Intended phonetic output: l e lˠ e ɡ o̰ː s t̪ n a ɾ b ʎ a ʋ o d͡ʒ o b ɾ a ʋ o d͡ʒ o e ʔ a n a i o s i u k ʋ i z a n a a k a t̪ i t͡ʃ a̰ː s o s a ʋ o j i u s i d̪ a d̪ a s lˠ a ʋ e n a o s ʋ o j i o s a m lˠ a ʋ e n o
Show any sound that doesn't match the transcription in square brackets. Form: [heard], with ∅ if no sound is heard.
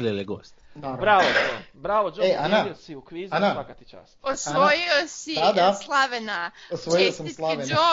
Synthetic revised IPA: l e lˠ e ɡ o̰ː s t̪ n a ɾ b [ɾ] a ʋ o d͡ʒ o b ɾ a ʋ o d͡ʒ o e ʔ a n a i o s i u k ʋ i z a n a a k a t̪ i t͡ʃ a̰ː s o s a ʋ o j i [o] s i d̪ a d̪ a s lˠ a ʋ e n a o s ʋ o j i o s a m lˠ a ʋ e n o